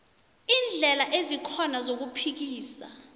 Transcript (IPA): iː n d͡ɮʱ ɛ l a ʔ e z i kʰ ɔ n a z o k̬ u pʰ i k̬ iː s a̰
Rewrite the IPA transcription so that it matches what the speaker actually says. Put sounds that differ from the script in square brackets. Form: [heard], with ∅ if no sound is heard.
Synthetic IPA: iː n d͡ɮʱ ɛ l a ʔ e z i kʰ ɔ n a z o k̬ u pʰ i k̬ iː s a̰